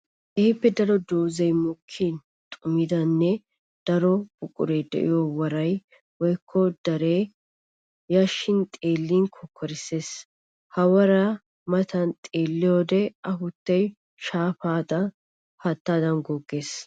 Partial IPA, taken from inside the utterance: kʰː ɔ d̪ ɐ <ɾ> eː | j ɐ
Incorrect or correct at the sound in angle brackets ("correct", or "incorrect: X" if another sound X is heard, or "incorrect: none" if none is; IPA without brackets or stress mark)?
correct